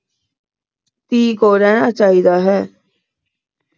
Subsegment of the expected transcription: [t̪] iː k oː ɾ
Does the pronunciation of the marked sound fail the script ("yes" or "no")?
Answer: no